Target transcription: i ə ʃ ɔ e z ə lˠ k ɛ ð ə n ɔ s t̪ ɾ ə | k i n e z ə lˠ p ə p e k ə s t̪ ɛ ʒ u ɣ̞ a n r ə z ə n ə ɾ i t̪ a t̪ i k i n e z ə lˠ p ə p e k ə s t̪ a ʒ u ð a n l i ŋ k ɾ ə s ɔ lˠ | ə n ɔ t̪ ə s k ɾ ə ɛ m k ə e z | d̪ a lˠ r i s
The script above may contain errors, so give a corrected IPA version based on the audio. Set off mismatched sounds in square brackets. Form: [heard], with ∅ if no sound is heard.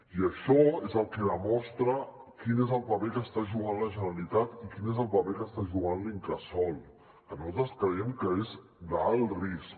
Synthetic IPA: i ə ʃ ɔ e z ə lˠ k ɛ ð ə [m] ɔ s t̪ ɾ ə | k i n e z ə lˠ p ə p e k ə s t̪ [a] ʒ u ɣ̞ a n [l] ə [ʒ] ə n ə [l] i t̪ a t̪ i k i n e z ə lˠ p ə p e k ə s t̪ a ʒ u [ɣ] a n l i ŋ k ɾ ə s ɔ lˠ | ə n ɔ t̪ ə s k ɾ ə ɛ m k ə e z | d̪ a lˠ r i s